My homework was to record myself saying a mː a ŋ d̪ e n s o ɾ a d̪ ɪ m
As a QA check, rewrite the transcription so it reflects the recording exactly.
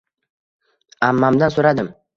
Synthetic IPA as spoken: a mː a m d̪ a n s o ɾ a d̪ ɪ m